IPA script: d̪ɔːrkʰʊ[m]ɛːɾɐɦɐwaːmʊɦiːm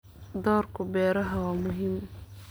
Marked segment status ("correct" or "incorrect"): incorrect